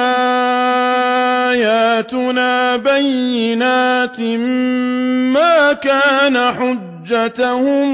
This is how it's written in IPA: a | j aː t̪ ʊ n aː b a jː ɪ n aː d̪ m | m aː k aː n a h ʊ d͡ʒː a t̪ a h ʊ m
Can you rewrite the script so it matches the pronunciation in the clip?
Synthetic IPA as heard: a | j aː t̪ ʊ n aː b a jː ɪ n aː t̪ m | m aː k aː n a ħ ʊ d͡ʒː a t̪ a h ʊ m

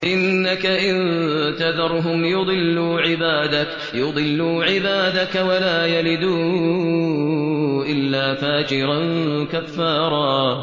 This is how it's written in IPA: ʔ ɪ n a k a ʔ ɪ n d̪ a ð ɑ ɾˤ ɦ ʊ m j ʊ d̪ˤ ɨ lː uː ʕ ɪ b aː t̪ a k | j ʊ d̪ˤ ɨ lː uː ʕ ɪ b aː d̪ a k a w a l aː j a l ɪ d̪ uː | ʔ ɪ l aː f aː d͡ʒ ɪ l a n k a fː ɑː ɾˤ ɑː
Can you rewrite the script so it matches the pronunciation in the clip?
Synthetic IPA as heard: ʔ ɪ nː a k a ʔ ɪ n t̪ a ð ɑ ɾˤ ɦ ʊ m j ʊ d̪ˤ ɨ lː uː ʕ ɪ b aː d̪ a k | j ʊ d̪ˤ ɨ lː uː ʕ ɪ b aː d̪ a k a w a l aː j a l ɪ d̪ uː | ʔ ɪ lː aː f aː d͡ʒ ɪ ɾ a n k a fː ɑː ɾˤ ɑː

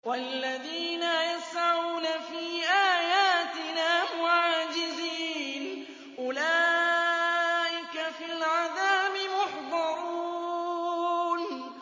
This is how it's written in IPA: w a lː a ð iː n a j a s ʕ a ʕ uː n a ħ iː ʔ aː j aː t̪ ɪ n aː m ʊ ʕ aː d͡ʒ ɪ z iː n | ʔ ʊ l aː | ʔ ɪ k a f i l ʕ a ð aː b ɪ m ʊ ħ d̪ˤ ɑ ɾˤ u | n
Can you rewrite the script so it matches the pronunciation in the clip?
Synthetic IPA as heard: w a lː a ð iː n a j a s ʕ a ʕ uː n a f iː ʔ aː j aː t̪ ɪ n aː m ʊ ʕ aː d͡ʒ ɪ z iː n | ʔ ʊ l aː | ʔ ɪ k a f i l ʕ a ð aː b ɪ m ʊ ħ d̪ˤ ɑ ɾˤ u | n

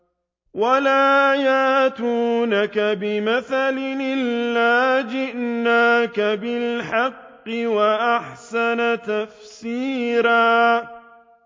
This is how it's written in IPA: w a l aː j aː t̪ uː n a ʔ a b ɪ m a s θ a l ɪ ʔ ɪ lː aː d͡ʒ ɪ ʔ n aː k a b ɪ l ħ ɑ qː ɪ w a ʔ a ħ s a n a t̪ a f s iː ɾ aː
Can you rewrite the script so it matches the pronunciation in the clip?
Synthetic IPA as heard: w a l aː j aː t̪ uː n a k a b ɪ m a θ a l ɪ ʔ ɪ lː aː d͡ʒ ɪ ʔ n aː k a b ɪ l ħ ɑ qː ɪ w a ʔ a ħ s a n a t̪ a f s iː ɾ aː

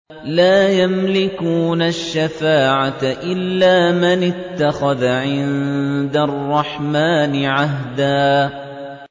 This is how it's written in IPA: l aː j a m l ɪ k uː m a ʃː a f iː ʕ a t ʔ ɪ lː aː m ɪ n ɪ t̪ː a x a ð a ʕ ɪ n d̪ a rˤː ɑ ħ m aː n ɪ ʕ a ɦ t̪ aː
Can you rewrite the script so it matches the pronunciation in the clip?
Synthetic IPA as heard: l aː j a m l ɪ k uː n a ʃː a f aː ʕ a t ʔ ɪ lː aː m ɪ n ɪ t̪ː a x a ð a ʕ ɪ n d̪ a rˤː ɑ ħ m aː n ɪ ʕ a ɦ d̪ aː

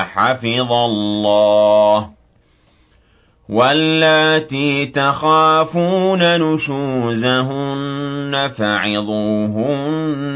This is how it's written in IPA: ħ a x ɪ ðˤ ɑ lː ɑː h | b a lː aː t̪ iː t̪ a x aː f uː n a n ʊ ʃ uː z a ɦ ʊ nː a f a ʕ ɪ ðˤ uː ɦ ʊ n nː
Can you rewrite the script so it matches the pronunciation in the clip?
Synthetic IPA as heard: ħ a f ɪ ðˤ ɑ lː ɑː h | w a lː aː t̪ iː t̪ a x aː f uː n a n ʊ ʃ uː z a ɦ ʊ nː a f a ʕ ɪ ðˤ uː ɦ ʊ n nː

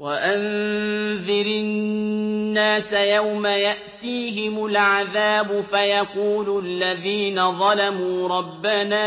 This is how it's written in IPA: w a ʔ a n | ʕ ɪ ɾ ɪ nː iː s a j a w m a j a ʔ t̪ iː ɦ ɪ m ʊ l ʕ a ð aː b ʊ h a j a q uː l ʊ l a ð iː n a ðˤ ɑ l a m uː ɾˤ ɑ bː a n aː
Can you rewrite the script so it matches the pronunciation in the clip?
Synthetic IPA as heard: w a ʔ a n | ð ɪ ɾ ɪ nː aː s a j a w m a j a ʔ t̪ iː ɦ ɪ m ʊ l ʕ a ð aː b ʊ f a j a q uː l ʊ lː a ð iː n a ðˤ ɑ l a m uː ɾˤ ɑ bː a n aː

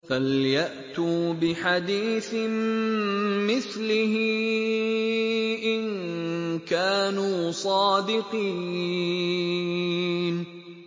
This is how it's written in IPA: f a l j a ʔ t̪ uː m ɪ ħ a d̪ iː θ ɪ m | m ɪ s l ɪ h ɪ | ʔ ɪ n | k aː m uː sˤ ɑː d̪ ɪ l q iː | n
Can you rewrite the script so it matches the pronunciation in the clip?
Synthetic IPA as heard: f a l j a ʔ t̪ uː b ɪ ħ a d̪ iː θ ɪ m | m ɪ θ l ɪ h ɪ | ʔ ɪ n | k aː n uː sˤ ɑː d̪ ɪ q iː | n

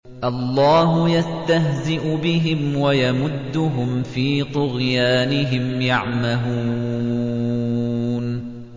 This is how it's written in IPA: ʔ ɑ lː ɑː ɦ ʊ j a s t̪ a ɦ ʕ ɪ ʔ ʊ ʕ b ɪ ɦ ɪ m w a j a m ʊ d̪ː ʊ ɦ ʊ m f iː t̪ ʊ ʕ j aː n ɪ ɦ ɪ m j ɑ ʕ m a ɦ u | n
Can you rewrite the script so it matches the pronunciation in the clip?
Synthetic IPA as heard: ʔ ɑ lː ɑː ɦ ʊ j a s t̪ a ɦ z ɪ ʔ ʊ b ɪ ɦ ɪ m w a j a m ʊ d̪ː ʊ ɦ ʊ m f iː t̪ ʊ ɣ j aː n ɪ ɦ ɪ m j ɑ ʕ m a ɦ uː | n

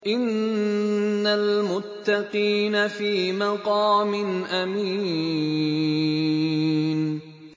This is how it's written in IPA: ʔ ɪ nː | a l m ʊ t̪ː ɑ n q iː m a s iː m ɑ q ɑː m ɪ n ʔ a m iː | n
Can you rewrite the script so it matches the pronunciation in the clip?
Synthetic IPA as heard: ʔ ɪ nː | a l m ʊ t̪ː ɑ q iː n a f iː m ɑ q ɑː m ɪ n ʔ a m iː | n

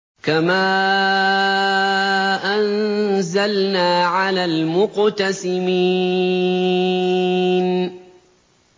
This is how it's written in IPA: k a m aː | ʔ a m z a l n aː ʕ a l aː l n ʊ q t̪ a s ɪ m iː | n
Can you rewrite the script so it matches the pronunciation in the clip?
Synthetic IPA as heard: k a m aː | ʔ a n z a l n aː ʕ a l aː l m ʊ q t̪ a s ɪ m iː | n

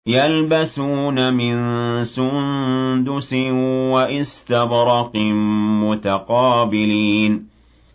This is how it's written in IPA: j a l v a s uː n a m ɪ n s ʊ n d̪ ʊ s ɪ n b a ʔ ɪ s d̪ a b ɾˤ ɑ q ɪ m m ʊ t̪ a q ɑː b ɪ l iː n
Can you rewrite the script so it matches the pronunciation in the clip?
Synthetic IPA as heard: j a l b a s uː n a m ɪ n s ʊ n d̪ ʊ s ɪ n w a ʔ ɪ s t̪ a b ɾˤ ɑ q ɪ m m ʊ t̪ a q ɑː b ɪ l iː n

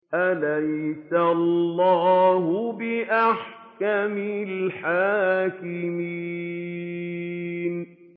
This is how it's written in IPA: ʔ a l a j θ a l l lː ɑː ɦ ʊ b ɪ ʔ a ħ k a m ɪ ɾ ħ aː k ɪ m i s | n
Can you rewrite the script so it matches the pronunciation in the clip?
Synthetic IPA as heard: ʔ a l a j s a l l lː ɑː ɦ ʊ b ɪ ʔ a ħ k a m ɪ l ħ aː k ɪ m i | n

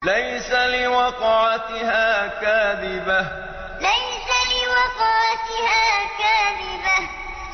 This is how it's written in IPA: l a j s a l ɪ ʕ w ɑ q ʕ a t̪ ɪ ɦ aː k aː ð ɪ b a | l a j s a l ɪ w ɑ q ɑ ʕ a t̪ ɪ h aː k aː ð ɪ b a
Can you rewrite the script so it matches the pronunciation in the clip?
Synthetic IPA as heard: l a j s a l ɪ w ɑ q ʕ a t̪ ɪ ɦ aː k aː ð ɪ b a | l a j s a l ɪ w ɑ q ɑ ʕ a t̪ ɪ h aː k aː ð ɪ b a

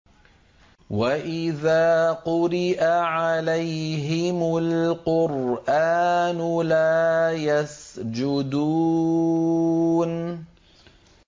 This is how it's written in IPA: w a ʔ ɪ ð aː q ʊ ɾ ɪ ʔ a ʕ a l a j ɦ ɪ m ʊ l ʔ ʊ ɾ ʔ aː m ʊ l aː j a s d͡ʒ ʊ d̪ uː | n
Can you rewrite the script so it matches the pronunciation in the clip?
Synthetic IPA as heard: w a ʔ ɪ ð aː q ʊ ɾ ɪ ʔ a ʕ a l a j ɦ ɪ m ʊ l q ʊ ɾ ʔ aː n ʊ l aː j a s d͡ʒ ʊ d̪ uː | n

